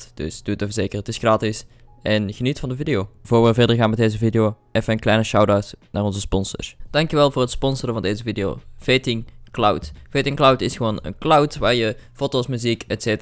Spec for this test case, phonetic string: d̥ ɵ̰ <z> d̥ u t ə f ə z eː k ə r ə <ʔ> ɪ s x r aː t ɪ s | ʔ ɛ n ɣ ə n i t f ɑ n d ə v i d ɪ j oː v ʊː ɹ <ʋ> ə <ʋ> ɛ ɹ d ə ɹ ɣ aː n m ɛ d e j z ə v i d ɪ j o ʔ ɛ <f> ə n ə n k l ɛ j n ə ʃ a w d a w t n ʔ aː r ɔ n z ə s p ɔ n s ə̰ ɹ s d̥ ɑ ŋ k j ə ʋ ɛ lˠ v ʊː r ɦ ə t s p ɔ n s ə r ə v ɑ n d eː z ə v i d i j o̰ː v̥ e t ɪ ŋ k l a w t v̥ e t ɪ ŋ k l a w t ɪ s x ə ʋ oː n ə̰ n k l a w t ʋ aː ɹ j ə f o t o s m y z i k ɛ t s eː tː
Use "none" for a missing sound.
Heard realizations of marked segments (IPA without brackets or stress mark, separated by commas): s, t, ʋ, v, f